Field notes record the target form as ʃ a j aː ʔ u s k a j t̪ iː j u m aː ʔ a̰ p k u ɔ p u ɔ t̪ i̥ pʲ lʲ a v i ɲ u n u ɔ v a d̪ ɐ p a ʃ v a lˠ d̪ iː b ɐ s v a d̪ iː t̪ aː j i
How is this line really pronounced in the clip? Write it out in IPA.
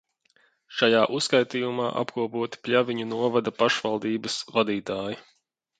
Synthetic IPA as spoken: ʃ a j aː ʔ u s k a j t̪ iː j u m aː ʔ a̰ p k u ɔ p u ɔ t̪ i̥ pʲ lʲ a v i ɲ u n u ɔ v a d̪ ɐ p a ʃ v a lˠ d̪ iː b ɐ s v a d̪ iː t̪ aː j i